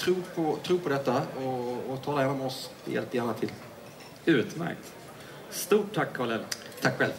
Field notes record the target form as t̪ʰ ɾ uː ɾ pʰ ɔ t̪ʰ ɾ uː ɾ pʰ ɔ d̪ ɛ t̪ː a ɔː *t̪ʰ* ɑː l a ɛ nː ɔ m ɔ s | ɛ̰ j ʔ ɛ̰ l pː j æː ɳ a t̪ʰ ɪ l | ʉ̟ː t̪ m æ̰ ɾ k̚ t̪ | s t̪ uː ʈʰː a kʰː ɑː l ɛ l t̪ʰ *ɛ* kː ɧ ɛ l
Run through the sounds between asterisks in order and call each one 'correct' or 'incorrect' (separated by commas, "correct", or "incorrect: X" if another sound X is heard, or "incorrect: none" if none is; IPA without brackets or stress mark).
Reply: correct, incorrect: a